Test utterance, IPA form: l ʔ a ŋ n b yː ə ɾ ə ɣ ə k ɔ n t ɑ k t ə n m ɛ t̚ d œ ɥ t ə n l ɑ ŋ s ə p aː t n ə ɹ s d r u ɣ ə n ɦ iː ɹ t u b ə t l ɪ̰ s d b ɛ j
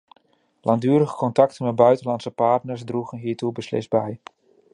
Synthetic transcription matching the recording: l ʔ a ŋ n d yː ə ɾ ə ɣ ə k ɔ n t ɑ k t ə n m ɛ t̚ b œ ɥ t ə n l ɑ n s ə p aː t n ə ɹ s d r u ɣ ə n ɦ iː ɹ t u b ə s l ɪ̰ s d b ɛ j